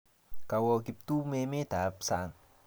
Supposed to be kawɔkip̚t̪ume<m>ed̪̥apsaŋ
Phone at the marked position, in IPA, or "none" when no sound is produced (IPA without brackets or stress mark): m